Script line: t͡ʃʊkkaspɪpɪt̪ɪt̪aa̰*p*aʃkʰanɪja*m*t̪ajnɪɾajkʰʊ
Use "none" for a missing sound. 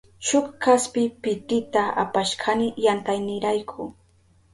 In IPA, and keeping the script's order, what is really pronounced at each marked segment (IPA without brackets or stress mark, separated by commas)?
p, n